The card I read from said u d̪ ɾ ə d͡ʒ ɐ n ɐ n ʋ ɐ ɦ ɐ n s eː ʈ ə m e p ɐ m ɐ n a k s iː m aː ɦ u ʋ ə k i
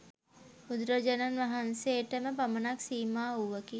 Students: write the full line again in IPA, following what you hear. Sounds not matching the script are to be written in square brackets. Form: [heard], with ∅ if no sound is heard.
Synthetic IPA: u d̪ ɾ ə d͡ʒ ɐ n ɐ n ʋ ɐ ɦ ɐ n s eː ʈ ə m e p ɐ m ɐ n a k s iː m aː ɦ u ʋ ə k i